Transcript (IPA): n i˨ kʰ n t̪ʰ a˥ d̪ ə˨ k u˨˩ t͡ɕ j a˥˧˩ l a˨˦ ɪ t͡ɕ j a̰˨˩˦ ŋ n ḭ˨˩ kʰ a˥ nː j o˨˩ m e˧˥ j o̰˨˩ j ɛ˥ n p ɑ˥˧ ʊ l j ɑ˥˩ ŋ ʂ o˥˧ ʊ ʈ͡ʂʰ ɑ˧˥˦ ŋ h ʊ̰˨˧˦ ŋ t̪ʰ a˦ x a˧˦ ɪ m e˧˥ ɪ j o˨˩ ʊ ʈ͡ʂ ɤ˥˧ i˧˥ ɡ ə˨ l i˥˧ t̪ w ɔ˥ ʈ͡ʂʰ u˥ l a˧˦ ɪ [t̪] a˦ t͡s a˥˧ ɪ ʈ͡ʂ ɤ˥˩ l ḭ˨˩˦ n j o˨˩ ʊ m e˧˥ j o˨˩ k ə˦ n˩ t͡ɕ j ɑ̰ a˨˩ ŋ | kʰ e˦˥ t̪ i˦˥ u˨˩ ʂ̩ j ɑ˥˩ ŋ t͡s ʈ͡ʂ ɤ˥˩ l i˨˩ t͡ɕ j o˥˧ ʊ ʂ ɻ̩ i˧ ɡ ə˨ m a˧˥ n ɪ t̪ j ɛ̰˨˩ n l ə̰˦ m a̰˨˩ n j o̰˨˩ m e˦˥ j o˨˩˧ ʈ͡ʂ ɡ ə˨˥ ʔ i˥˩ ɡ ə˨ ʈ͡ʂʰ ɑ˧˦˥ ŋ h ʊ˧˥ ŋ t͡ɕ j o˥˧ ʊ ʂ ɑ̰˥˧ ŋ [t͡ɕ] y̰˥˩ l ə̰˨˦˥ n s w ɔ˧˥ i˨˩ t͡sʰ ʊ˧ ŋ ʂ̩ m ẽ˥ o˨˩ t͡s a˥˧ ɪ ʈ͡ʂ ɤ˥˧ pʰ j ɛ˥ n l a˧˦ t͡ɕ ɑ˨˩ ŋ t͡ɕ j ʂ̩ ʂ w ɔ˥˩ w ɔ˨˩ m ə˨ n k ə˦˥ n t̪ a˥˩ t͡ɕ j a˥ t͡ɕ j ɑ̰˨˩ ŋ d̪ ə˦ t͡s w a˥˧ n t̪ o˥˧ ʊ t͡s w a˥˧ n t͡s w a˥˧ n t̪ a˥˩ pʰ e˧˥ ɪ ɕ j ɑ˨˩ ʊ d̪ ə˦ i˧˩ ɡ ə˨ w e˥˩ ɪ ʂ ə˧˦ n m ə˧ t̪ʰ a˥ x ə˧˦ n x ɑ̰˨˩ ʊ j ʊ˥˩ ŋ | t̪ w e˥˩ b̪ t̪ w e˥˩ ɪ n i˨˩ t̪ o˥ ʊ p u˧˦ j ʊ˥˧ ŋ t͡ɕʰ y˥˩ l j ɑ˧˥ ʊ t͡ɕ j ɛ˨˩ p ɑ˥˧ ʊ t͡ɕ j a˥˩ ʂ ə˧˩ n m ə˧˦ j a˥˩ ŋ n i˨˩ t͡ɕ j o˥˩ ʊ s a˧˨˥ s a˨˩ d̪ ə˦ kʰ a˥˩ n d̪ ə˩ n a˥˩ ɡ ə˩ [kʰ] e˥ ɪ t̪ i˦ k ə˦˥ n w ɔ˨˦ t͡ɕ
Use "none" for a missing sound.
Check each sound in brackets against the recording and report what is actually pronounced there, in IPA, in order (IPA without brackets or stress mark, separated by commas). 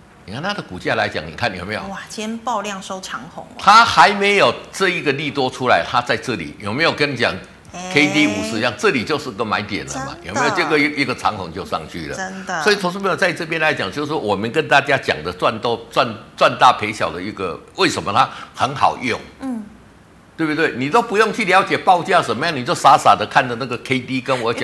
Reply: t̪ʰ, t͡ɕʰ, kʰ